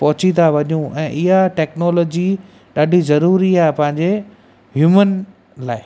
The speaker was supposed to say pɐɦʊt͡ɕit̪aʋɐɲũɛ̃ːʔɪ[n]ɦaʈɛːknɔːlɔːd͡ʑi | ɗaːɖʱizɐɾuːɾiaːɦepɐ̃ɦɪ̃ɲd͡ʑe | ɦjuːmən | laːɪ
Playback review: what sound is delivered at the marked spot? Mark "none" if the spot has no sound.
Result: none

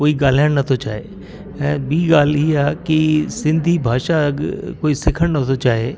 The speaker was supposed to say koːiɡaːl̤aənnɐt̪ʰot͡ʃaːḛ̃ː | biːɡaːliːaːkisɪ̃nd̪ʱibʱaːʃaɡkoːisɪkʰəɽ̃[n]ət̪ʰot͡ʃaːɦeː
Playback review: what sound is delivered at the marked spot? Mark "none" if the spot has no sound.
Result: n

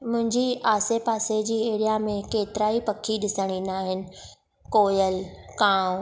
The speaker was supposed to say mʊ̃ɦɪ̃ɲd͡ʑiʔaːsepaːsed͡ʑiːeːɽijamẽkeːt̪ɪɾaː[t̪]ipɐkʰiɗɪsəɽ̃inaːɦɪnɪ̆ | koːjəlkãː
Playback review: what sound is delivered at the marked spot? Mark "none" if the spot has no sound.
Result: none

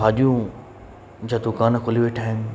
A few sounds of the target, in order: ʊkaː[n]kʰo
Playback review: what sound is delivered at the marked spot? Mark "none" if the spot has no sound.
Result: n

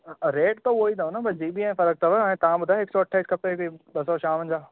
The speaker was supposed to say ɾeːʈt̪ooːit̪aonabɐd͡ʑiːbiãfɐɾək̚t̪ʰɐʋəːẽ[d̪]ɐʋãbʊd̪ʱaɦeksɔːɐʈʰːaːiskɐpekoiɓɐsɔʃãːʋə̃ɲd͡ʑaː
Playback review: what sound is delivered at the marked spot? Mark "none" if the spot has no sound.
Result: t̪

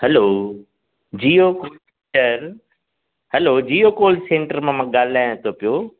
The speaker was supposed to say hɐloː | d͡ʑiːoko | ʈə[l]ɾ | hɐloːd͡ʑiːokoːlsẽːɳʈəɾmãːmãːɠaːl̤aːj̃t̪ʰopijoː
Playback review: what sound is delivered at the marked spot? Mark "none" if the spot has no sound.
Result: none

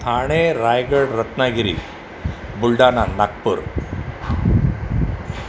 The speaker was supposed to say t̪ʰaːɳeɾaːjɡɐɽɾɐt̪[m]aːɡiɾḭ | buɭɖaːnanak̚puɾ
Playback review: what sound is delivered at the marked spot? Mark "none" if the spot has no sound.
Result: n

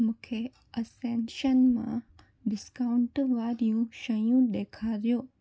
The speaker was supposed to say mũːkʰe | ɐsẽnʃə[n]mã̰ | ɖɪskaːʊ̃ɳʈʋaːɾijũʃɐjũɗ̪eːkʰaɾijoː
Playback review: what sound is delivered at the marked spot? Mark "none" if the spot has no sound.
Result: n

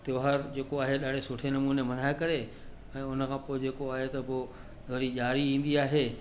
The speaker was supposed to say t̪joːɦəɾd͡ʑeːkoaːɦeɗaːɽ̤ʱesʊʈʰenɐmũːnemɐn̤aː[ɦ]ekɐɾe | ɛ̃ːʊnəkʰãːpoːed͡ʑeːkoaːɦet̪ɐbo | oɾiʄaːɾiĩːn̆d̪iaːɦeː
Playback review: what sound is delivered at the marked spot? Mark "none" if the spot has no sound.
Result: none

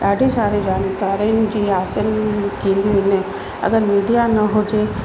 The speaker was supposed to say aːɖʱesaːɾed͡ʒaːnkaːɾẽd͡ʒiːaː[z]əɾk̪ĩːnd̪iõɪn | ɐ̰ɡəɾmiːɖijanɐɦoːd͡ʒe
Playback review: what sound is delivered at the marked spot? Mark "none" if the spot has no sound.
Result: s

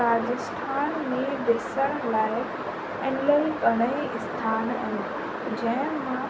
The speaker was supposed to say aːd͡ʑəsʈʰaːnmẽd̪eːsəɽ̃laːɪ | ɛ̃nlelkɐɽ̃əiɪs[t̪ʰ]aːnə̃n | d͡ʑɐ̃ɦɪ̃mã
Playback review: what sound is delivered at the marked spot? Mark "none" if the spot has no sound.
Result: t̪ʰ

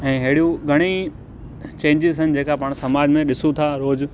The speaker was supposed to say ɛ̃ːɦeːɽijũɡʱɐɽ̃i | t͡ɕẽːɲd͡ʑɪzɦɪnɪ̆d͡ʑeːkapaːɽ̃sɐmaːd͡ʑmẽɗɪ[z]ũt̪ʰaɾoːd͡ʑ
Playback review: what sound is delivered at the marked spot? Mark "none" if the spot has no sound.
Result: s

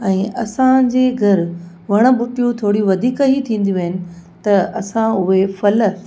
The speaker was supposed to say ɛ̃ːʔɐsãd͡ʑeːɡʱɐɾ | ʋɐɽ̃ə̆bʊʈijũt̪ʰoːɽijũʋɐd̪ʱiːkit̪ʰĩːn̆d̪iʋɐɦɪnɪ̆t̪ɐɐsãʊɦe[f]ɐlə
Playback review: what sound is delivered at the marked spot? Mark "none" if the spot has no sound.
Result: f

